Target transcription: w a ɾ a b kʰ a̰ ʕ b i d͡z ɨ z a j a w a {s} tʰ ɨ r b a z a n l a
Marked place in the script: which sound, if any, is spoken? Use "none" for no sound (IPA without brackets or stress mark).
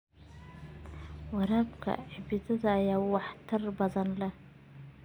ħ